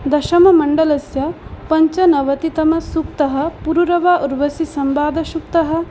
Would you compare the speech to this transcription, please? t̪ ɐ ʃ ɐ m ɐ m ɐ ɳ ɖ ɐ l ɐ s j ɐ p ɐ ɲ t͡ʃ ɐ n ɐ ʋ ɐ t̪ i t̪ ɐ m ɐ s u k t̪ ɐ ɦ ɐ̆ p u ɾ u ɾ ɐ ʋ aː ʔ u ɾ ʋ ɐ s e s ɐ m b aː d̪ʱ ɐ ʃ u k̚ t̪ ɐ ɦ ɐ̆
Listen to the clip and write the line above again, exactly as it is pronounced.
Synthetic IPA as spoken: d̪ ɐ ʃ ɐ m ɐ m ɐ ɳ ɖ ɐ l ɐ s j ɐ p ɐ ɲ t͡ʃ ɐ n ɐ ʋ ɐ t̪ i t̪ ɐ m ɐ s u k t̪ ɐ ɦ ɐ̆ p u ɾ u ɾ ɐ ʋ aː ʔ u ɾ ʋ ɐ s i s ɐ m b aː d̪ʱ ɐ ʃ u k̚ t̪ ɐ ɦ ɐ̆